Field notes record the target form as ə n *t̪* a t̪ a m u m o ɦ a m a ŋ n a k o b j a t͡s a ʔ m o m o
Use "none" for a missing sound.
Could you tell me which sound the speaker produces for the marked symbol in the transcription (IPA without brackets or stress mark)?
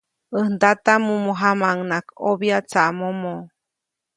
d̪